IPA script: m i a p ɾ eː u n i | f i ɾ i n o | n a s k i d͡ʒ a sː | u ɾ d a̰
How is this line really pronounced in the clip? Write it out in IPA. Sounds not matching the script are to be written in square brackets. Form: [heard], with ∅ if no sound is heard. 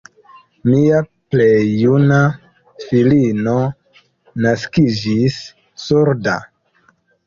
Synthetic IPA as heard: m i a p [l] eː u n [a] | f i [l] i n o | n a s k i d͡ʒ [i] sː | u ɾ d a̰